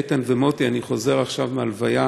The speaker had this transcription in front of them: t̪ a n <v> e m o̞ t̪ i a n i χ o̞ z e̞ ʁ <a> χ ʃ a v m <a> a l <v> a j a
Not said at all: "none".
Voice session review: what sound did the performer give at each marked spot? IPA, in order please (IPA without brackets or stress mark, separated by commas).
v, a, e, v